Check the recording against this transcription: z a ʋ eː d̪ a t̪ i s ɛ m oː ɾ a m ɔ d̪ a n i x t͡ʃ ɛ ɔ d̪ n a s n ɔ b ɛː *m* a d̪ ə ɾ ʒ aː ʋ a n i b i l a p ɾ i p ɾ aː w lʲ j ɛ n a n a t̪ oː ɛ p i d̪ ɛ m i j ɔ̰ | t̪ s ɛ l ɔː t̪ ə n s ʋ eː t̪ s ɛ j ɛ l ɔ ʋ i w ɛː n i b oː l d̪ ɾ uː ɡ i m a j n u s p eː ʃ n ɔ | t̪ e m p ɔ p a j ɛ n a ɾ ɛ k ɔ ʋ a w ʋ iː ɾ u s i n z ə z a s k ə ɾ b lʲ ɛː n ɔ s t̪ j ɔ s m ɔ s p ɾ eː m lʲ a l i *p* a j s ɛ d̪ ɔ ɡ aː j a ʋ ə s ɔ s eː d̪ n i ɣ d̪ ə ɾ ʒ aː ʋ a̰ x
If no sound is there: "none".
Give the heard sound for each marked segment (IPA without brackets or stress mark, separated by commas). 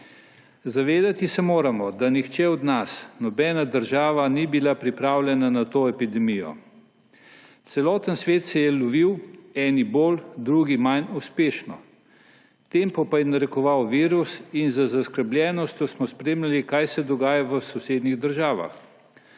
n, k